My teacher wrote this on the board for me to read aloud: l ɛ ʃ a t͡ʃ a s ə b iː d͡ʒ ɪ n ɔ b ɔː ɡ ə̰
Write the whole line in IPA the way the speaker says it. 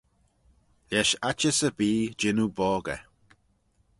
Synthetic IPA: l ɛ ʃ a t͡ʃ ə s ə b iː d͡ʒ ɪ n u b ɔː ɡ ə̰

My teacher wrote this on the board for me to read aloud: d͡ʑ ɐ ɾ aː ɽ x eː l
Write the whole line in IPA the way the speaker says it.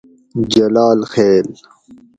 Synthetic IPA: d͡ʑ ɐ l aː l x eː l

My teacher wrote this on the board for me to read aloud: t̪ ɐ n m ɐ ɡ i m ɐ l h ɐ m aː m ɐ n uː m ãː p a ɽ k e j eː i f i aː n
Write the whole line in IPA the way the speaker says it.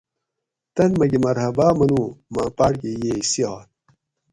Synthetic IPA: t̪ ɐ n m ɐ ɡ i m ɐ ɾ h ɐ b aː m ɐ n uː m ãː p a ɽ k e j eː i s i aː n

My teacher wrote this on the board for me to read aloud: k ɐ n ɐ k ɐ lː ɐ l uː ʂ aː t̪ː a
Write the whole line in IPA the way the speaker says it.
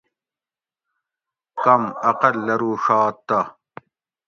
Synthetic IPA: k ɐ m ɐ q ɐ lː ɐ ɾ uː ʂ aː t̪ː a

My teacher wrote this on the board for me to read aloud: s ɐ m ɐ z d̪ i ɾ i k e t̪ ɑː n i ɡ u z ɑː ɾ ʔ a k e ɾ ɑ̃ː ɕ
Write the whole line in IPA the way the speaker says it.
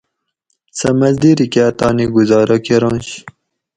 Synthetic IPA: s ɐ m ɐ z d̪ i ɾ i k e t̪ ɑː n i ɡ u z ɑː ɾ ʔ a k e ɾ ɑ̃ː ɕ

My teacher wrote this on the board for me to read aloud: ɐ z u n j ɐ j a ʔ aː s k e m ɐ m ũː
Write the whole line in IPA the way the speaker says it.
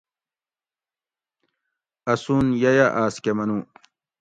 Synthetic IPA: ɐ s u n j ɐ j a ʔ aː s k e m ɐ n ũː

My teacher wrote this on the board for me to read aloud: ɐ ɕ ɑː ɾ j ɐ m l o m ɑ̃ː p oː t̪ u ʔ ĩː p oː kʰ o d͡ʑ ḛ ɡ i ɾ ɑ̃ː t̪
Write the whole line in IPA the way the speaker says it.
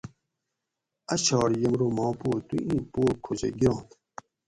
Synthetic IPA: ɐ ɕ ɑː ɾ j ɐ m ɾ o m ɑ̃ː p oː t̪ u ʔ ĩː p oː kʰ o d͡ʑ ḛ ɡ i ɾ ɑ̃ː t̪

